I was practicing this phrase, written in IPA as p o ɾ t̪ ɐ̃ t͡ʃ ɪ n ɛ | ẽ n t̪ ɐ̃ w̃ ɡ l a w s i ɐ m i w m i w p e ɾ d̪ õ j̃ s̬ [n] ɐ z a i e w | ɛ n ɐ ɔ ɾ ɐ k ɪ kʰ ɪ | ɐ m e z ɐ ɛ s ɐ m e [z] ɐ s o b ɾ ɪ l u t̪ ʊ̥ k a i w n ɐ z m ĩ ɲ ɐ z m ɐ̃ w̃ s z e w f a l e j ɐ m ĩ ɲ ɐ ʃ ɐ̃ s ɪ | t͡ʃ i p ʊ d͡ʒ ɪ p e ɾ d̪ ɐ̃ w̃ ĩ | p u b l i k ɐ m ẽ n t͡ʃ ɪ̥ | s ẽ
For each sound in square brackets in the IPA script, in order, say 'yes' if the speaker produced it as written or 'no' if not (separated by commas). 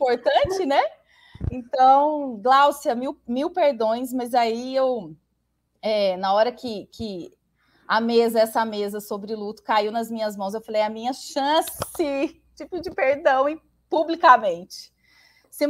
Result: no, yes